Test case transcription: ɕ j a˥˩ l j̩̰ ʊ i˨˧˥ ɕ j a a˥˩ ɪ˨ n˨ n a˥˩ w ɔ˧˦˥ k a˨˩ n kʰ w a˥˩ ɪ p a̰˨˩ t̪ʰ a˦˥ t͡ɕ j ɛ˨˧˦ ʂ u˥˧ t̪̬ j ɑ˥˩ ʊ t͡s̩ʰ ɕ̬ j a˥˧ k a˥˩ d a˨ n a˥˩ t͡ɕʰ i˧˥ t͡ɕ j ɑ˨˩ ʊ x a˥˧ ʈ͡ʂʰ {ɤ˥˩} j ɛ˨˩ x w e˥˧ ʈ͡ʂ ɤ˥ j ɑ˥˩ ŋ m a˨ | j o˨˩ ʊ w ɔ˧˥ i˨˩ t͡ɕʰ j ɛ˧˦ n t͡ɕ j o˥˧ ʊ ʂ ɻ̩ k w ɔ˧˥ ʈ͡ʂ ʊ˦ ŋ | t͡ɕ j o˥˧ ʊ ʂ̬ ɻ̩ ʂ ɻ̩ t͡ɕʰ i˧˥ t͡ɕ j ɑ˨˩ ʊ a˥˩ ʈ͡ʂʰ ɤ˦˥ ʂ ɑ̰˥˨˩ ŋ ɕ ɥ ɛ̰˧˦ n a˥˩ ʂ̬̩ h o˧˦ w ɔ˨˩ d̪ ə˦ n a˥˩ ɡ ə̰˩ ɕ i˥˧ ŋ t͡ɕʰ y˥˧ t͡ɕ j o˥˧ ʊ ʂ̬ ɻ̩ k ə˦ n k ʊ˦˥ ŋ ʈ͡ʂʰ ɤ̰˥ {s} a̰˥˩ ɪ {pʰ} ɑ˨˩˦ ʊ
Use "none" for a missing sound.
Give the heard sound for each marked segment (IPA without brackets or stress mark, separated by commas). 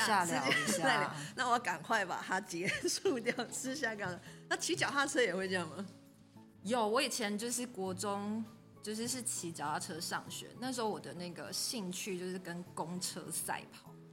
ɤ˥, s, pʰ